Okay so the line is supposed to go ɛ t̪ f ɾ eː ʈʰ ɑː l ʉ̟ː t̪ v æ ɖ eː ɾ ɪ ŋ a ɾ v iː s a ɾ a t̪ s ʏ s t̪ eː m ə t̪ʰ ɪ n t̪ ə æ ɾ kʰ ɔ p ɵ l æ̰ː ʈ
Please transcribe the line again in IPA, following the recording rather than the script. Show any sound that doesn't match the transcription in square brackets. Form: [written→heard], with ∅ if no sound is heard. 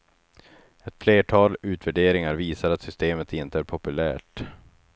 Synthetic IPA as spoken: ɛ t̪ f [ɾ→l] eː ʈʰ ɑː l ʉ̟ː t̪ v æ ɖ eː ɾ ɪ ŋ a ɾ v iː s a ɾ a t̪ s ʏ s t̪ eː m ə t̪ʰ ɪ n t̪ ə æ ɾ [kʰ→pʰ] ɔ p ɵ l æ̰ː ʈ